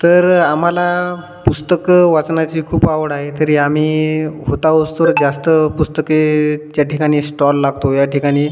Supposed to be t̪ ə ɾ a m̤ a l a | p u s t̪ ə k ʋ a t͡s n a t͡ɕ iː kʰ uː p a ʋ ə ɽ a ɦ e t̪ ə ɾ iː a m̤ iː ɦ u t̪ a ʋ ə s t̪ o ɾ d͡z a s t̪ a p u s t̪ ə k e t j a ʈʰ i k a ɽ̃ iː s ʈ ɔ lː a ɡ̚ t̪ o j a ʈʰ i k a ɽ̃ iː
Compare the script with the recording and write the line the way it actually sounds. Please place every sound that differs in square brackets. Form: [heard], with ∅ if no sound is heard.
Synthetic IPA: t̪ ə ɾ a m̤ a l a | p u s t̪ ə k ʋ a t͡s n a t͡ɕ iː kʰ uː p a ʋ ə ɽ a ɦ e t̪ ə ɾ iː a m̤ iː ɦ [o] t̪ a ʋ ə s t̪ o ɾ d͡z a s t̪ [ə] p u s t̪ ə k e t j a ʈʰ i k a ɽ̃ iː s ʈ ɔ lː a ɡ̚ t̪ o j a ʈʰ i k a ɽ̃ iː